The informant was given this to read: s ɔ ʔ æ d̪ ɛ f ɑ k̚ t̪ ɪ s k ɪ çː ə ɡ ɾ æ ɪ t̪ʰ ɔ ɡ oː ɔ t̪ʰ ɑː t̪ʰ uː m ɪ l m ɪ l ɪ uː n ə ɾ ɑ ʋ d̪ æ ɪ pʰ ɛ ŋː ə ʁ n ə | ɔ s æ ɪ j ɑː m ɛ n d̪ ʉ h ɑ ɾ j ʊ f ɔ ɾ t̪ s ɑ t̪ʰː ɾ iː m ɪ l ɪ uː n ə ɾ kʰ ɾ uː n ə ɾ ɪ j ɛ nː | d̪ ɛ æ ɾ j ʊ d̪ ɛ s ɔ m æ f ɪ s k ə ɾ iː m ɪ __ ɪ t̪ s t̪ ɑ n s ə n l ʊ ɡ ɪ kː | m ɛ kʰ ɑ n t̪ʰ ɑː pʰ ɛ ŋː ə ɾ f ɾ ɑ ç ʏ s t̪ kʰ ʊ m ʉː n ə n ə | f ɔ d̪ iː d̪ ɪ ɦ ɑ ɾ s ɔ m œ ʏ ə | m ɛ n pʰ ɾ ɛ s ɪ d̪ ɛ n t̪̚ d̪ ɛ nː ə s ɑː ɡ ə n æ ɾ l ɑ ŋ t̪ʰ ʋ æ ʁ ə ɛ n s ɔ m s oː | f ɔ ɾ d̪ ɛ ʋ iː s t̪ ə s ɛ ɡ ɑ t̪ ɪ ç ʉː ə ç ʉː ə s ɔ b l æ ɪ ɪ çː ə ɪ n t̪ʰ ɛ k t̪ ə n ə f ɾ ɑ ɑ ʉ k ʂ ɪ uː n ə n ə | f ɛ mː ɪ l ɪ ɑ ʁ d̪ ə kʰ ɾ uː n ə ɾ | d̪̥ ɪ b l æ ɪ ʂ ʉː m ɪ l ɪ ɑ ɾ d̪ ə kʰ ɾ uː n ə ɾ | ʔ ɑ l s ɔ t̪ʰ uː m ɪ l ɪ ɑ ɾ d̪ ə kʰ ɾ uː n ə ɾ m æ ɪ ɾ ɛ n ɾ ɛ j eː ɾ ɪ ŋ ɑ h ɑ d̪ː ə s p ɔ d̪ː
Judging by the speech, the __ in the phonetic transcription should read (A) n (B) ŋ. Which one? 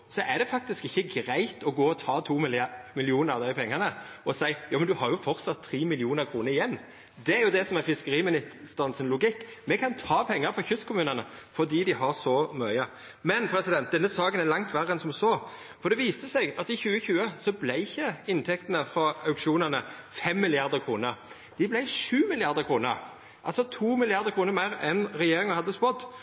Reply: A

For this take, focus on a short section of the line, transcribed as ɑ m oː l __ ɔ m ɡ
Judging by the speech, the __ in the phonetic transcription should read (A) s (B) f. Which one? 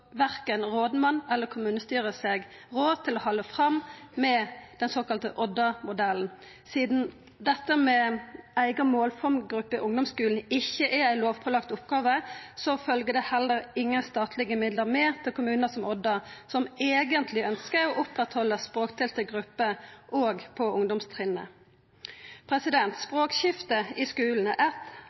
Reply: B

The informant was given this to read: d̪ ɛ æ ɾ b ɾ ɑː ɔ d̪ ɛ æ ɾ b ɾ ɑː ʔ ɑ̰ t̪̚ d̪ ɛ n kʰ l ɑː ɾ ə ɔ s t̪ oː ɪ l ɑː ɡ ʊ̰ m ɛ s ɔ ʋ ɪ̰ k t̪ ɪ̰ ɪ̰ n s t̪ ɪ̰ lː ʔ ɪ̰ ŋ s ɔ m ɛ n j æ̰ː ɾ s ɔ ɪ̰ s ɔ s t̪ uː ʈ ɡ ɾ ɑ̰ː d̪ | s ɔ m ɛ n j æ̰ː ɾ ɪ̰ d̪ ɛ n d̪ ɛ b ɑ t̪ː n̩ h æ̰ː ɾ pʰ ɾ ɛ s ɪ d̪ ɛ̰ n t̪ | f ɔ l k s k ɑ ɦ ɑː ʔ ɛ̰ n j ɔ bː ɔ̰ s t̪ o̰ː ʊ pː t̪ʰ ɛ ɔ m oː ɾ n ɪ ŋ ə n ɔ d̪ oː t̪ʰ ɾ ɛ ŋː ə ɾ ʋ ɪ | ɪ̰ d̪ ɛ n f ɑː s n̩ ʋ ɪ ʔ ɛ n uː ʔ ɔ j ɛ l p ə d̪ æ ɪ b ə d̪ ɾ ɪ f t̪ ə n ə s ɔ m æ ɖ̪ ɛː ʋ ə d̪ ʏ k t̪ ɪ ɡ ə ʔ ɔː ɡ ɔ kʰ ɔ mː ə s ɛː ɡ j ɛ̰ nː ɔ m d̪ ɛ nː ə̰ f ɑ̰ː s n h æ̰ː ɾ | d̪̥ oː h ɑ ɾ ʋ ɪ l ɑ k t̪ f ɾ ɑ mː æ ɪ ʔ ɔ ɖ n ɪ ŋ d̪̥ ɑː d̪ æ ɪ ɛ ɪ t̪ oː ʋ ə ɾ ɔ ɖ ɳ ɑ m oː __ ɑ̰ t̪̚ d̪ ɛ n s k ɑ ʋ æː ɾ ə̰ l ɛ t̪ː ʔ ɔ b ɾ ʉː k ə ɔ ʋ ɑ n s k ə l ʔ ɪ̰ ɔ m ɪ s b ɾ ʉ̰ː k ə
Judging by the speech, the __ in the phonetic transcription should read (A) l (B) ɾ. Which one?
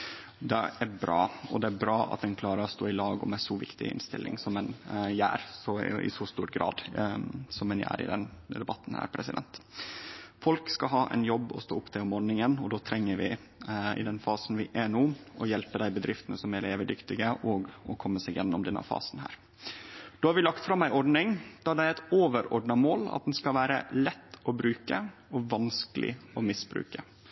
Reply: A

